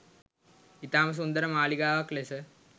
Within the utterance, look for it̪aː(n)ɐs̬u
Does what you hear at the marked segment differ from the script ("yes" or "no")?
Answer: yes